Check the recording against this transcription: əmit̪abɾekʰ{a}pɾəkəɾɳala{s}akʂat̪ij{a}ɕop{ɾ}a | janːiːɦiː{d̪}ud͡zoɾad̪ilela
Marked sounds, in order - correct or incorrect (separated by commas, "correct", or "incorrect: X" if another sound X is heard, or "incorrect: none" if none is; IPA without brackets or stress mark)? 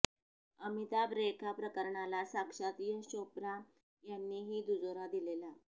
correct, correct, incorrect: ə, correct, correct